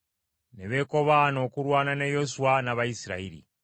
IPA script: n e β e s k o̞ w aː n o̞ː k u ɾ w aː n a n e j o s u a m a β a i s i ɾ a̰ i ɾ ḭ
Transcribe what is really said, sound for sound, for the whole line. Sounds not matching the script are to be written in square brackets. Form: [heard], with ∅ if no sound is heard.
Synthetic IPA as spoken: n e β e [∅] k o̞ [β] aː n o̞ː k u ɾ w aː n a n e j o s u a [n] a β a i s i ɾ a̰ i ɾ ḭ